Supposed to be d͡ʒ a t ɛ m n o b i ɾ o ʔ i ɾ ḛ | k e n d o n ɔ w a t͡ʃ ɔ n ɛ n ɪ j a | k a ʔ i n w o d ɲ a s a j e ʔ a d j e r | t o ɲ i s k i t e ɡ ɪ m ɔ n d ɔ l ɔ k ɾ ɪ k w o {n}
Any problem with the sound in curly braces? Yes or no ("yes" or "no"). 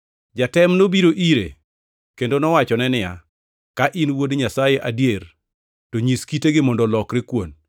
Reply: no